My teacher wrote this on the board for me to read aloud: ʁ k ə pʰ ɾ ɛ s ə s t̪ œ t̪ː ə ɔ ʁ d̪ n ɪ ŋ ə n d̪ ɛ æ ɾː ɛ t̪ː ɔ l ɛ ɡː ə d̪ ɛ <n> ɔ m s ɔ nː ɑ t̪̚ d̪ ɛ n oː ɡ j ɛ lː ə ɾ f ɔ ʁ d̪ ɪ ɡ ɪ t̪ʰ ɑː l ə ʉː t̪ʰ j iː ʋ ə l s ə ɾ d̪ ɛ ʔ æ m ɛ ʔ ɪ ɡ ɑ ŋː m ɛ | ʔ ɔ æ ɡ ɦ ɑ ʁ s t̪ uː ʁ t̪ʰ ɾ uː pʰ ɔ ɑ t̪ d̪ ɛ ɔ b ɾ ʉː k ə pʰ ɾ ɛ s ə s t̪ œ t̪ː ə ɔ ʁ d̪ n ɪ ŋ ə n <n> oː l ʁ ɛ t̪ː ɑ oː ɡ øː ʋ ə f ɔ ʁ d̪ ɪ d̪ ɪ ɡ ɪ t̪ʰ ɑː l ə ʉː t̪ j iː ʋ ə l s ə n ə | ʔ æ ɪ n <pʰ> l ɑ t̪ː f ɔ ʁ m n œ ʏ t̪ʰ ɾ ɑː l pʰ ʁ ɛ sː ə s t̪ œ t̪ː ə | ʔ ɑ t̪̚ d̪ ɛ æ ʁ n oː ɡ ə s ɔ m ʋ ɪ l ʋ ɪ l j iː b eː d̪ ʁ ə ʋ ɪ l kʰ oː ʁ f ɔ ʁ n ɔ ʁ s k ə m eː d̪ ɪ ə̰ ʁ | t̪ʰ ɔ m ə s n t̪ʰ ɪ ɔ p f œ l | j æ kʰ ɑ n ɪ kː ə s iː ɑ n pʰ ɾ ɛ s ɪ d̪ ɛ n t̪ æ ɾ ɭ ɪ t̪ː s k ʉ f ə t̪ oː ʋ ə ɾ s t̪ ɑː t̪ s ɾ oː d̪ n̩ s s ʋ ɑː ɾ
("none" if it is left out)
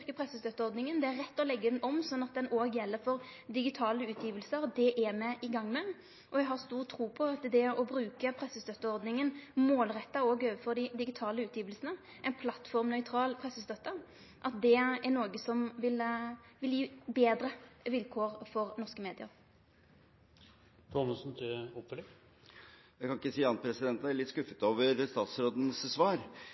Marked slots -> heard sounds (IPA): n, m, pʰ

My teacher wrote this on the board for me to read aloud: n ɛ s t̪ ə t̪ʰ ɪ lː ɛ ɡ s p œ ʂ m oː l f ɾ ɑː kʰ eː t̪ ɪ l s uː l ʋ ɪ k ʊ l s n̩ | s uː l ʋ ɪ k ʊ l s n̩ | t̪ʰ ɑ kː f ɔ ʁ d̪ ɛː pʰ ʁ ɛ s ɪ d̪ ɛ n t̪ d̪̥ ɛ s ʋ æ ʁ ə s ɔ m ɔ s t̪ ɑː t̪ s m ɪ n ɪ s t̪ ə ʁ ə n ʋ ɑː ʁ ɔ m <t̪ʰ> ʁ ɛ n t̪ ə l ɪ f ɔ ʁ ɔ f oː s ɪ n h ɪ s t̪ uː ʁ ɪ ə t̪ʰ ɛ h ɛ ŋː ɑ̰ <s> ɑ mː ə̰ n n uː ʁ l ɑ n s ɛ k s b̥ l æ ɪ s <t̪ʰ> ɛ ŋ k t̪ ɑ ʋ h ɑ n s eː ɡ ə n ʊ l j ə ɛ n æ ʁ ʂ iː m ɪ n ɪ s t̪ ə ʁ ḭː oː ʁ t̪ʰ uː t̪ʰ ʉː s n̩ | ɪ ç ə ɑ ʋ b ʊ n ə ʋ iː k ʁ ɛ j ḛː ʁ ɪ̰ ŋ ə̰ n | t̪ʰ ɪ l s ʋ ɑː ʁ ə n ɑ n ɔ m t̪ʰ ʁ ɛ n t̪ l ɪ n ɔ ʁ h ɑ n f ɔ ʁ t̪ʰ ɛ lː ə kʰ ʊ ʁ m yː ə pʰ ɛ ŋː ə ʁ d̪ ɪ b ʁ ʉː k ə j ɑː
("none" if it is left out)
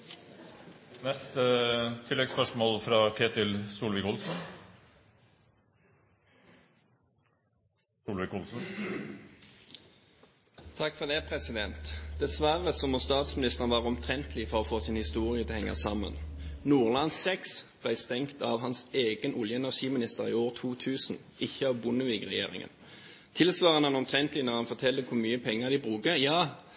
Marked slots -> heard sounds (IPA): t̪ʰ, s, t̪

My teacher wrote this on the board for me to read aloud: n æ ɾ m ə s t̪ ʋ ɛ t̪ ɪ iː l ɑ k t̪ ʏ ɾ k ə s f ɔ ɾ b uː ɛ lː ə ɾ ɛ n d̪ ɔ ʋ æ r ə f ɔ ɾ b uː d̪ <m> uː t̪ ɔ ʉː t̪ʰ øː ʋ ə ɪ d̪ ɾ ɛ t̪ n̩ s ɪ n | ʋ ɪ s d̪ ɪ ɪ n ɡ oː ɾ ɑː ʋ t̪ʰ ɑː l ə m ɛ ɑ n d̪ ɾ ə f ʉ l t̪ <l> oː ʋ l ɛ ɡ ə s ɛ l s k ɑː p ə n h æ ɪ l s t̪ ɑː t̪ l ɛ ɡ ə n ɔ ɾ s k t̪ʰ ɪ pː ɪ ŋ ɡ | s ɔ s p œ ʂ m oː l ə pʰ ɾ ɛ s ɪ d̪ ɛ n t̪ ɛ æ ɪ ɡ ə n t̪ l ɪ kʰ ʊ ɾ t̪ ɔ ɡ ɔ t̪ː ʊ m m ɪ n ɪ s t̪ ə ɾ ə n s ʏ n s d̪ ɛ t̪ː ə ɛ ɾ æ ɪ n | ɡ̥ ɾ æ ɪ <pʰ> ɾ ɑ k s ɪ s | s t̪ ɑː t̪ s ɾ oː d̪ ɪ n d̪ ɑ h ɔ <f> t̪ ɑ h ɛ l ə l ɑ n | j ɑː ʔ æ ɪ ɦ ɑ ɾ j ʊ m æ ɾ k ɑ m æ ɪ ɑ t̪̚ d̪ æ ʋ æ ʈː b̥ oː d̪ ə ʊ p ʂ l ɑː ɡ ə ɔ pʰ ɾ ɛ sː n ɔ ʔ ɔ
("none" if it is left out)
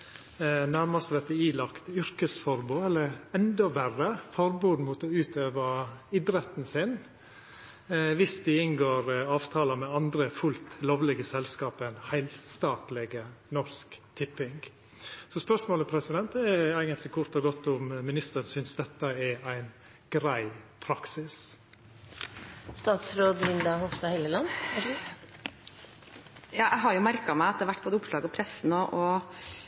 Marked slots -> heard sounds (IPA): m, l, pʰ, s

